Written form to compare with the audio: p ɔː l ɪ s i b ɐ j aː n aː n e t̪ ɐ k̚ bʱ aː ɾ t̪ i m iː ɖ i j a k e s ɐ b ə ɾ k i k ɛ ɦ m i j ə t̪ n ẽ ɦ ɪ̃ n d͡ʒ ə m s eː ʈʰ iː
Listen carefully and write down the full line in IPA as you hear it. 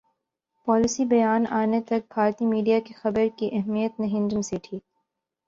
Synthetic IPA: p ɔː l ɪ s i b ɐ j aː n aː n e t̪ ɐ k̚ bʱ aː ɾ t̪ i m iː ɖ i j a k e x ɐ b ə ɾ k i ʔ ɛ ɦ m i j ə t̪ n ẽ ɦ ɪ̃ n d͡ʒ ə m s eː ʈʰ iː

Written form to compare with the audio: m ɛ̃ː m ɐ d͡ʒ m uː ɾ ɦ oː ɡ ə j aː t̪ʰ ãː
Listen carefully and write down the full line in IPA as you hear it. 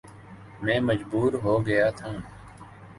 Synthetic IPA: m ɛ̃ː m ə d͡ʒ b uː ɾ ɦ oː ɡ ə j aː t̪ʰ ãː

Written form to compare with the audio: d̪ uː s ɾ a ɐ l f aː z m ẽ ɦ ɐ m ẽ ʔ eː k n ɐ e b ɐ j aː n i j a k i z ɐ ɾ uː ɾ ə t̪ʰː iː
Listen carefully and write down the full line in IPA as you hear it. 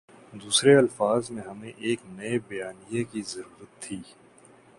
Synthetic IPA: d̪ uː s ɾ e ɐ l f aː z m ẽ ɦ ɐ m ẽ ʔ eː k n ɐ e b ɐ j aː n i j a k i z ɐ ɾ uː ɾ ə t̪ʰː iː

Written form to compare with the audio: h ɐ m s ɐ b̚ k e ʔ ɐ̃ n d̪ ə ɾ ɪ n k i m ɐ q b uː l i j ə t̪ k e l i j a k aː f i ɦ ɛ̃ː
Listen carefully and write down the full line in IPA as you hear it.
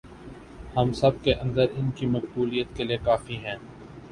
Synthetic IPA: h ɐ m s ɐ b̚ k e ʔ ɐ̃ n d̪ ə ɾ ɪ n k i m ɐ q b uː l i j ə t̪ k e l i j e k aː f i ɦ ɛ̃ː

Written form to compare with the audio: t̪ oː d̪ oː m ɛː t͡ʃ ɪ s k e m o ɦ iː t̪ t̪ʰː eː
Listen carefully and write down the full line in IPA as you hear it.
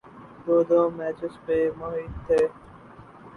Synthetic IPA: d̪ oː d̪ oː m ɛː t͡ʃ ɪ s p e m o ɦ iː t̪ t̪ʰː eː

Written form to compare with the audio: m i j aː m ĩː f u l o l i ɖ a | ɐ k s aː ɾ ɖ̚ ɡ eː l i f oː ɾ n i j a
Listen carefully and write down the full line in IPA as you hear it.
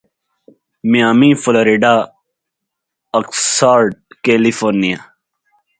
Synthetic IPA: m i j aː m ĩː f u l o ɾ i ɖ a | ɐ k s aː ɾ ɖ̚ k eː l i f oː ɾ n i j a

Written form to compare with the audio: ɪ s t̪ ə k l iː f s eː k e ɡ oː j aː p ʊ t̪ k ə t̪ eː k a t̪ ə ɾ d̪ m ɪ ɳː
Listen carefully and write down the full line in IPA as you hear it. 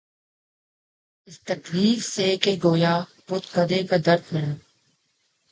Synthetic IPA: ɪ s t̪ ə k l iː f s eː k e ɡ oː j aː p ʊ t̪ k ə d̪ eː k a d̪ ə ɾ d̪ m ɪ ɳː

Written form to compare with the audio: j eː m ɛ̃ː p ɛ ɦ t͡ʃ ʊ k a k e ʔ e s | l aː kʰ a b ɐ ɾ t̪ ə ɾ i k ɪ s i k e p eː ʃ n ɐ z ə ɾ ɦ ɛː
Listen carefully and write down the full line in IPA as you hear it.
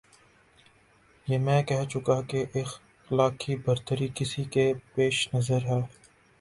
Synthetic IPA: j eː m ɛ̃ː k ɛ ɦ t͡ʃ ʊ k a k e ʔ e x | l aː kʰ i b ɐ ɾ t̪ ə ɾ i k ɪ s i k e p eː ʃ n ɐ z ə ɾ ɦ ɛː

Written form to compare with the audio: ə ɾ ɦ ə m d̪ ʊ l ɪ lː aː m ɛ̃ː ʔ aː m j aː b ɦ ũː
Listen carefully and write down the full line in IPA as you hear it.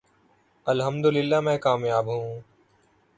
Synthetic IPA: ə l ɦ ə m d̪ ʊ l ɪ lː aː m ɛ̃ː k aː m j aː b ɦ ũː

